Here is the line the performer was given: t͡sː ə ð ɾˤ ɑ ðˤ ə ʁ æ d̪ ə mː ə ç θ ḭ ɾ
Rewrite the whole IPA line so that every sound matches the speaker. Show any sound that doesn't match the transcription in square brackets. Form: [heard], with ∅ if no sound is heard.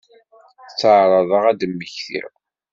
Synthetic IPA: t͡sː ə [ʕ] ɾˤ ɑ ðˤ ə ʁ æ d̪ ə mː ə ç θ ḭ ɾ